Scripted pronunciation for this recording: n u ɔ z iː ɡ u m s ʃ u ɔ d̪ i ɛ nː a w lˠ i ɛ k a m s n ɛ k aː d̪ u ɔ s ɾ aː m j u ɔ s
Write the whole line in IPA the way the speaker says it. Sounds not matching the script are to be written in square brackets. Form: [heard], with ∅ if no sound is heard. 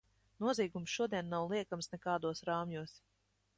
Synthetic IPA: n u ɔ z iː ɡ u m s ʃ u ɔ d̪ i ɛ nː a w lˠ i ɛ k a m s n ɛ k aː d̪ u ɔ s ɾ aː m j u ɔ s

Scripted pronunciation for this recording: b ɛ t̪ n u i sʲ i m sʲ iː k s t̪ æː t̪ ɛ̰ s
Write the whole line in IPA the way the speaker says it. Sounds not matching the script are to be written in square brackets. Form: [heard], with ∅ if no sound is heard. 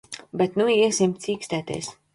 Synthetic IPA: b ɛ t̪ n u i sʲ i m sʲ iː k s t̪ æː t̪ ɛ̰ s

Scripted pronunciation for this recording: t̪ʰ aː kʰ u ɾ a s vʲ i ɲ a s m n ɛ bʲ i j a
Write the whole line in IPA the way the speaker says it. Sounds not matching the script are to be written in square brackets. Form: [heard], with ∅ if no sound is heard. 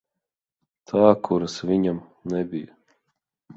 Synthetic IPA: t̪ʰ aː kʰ u ɾ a s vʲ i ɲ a [∅] m n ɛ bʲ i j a

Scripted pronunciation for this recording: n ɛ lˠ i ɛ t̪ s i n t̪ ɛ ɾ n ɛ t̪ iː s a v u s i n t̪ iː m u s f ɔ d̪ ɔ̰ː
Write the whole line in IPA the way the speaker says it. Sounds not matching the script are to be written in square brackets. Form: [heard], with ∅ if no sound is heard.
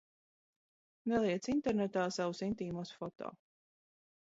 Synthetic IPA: n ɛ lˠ i ɛ t̪ s i n t̪ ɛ ɾ n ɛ t̪ [aː] s a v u s i n t̪ iː m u s f ɔ [t̪] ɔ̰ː

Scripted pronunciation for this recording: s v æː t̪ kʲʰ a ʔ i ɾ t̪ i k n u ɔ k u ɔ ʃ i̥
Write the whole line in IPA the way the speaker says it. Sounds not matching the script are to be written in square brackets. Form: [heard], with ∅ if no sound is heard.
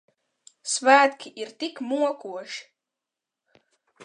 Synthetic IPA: s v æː t̪ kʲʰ [i] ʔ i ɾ t̪ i k [m] u ɔ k u ɔ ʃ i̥

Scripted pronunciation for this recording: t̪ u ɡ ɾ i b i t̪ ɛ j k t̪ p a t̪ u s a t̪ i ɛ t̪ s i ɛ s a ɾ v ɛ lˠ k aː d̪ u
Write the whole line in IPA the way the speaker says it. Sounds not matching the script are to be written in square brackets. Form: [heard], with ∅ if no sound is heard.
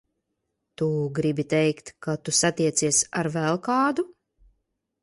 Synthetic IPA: t̪ u ɡ ɾ i b i t̪ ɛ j k t̪ [k] a t̪ u s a t̪ i ɛ t̪ s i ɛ s a ɾ v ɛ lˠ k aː d̪ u

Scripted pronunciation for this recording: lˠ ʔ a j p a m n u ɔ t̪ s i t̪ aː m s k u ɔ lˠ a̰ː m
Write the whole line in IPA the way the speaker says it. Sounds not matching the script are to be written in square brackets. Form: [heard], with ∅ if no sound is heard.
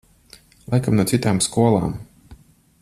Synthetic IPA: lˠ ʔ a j [k] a m n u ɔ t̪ s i t̪ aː m s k u ɔ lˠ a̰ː m

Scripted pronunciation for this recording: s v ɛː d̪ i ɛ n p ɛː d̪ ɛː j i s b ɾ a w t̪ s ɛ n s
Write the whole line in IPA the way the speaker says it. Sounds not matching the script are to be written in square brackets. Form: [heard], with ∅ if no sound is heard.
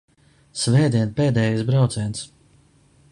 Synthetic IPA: s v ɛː d̪ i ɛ n p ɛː d̪ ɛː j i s b ɾ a w t̪ s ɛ n s

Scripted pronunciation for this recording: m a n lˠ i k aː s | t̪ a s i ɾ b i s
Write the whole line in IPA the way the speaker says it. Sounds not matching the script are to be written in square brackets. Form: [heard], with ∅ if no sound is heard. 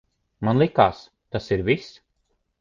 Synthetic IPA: m a n lˠ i k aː s | t̪ a s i ɾ [v] i s

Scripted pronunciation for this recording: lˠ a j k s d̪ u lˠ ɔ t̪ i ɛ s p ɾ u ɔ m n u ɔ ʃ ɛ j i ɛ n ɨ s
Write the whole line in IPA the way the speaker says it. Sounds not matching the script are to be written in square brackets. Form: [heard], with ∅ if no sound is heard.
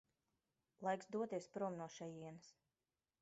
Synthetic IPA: lˠ a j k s d̪ u [∅] ɔ t̪ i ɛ s p ɾ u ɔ m n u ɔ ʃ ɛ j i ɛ n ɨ s

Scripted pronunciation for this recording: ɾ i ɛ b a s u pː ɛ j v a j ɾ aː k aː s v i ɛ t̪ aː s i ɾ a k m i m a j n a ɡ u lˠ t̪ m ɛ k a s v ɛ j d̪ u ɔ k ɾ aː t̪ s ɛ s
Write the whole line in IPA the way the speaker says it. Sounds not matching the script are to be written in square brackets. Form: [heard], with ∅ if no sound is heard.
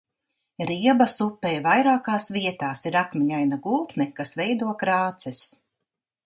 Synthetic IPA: ɾ i ɛ b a s u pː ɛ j v a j ɾ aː k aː s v i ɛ t̪ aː s i ɾ a k m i [ɲ] a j n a ɡ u lˠ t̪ [n] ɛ k a s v ɛ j d̪ u ɔ k ɾ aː t̪ s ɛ s

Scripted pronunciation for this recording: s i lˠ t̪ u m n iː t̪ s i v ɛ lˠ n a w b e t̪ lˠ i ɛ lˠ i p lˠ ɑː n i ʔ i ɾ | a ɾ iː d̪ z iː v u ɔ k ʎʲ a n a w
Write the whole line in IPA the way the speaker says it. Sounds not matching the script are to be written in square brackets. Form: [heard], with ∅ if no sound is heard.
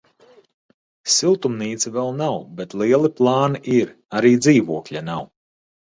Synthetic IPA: s i lˠ t̪ u m n iː t̪ s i v ɛ lˠ n a w b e t̪ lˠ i ɛ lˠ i p lˠ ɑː n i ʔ i ɾ | a ɾ iː d̪ z iː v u ɔ k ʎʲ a n a w

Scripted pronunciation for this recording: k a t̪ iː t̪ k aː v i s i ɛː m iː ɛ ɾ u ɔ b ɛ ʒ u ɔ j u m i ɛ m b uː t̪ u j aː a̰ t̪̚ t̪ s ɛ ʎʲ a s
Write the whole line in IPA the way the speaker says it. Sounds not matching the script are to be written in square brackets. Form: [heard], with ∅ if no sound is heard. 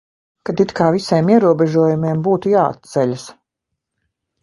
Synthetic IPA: k a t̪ [i] t̪ k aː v i s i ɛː m [i] ɛ ɾ u ɔ b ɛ ʒ u ɔ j u m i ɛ m b uː t̪ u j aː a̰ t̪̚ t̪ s ɛ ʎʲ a s

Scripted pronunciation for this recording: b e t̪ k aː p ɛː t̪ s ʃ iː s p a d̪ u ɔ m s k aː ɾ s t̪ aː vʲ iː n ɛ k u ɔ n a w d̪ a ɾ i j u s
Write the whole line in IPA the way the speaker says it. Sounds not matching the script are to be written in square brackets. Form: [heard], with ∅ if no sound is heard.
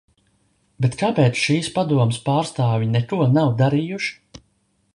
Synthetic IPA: b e t̪ k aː p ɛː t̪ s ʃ iː s p a d̪ u ɔ m s [p] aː ɾ s t̪ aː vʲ [i] n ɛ k u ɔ n a w d̪ a ɾ i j u [ʃ]

